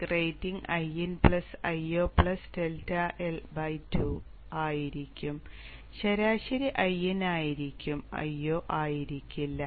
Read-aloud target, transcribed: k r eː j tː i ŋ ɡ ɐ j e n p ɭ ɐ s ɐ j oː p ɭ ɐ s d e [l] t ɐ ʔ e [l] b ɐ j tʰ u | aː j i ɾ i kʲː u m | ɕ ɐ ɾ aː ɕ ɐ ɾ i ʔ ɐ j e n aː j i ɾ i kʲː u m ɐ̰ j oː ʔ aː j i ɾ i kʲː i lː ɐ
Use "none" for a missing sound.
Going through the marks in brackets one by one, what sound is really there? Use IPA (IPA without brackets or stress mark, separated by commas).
l, l